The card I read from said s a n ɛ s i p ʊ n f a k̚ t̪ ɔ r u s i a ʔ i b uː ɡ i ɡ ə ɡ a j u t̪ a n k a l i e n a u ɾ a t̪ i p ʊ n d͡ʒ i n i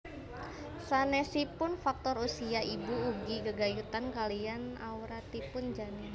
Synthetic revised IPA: s a n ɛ s i p ʊ n f a k̚ t̪ ɔ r u s i a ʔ i b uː ɡ i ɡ ə ɡ a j u t̪ a n k a l i a n a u ɾ a t̪ i p ʊ n d͡ʒ a n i